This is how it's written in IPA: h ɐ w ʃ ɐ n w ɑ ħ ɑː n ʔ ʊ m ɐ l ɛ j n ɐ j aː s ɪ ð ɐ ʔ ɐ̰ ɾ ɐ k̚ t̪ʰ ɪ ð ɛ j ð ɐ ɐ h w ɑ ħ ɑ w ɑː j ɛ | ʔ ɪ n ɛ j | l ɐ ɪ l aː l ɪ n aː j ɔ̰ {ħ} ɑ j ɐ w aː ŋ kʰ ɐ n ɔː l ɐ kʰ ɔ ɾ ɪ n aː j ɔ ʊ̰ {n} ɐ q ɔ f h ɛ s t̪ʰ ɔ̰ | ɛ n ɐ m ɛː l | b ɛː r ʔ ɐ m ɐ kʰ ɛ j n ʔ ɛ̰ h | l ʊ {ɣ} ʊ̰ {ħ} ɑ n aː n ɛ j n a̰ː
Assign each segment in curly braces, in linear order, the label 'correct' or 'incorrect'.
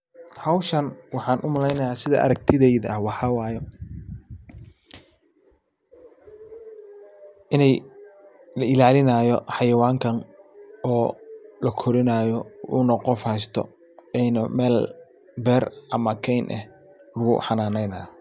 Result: correct, correct, correct, correct

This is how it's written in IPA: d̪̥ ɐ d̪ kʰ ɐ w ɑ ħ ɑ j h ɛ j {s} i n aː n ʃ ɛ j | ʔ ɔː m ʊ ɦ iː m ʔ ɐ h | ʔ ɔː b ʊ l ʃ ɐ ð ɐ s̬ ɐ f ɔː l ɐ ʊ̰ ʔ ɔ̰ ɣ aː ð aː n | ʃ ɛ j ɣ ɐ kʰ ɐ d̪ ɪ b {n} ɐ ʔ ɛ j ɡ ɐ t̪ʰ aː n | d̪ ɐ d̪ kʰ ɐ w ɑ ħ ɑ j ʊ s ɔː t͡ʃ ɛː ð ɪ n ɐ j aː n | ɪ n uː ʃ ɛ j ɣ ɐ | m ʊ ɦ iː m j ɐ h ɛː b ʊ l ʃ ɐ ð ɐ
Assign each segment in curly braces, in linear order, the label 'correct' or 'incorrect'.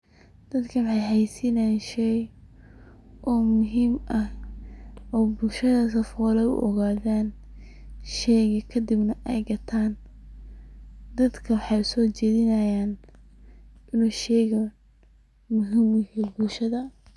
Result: correct, correct

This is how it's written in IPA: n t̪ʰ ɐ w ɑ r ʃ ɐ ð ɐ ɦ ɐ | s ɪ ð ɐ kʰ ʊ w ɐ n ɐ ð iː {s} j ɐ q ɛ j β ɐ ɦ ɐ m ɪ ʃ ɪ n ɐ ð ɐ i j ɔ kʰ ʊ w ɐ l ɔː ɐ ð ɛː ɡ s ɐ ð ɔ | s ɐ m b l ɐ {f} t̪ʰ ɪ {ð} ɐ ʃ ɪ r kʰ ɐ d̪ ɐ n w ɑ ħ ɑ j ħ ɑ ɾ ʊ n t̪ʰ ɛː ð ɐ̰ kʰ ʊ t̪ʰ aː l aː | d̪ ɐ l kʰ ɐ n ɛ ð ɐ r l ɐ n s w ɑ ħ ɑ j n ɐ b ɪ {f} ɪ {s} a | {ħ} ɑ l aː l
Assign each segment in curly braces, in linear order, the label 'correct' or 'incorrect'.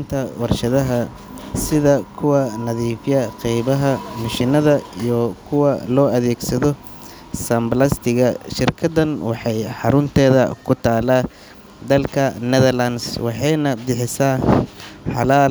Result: incorrect: f, incorrect: s, incorrect: ɣ, incorrect: ħ, correct, correct

